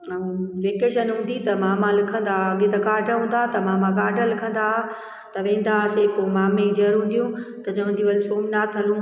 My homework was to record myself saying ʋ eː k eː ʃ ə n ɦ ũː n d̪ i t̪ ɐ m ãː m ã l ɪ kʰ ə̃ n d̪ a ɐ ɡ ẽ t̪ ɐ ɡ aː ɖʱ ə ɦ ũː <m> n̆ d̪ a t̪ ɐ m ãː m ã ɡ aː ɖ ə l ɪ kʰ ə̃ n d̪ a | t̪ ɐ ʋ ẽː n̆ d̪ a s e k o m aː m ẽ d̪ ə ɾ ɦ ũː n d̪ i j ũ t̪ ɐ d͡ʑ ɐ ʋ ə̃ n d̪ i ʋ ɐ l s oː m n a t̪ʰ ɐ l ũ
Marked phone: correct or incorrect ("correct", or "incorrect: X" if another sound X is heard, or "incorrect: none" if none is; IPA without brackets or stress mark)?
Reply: incorrect: none